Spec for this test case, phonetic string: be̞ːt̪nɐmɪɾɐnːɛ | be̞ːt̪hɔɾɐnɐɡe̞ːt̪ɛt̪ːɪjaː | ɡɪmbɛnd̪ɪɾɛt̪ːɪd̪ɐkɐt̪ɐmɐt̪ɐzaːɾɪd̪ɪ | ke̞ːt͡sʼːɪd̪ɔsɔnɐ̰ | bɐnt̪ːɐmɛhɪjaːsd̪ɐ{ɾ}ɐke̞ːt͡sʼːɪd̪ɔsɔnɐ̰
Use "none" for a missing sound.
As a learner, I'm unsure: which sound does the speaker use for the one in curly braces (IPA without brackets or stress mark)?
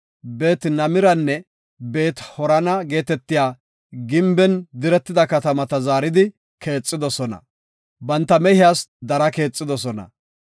ɾ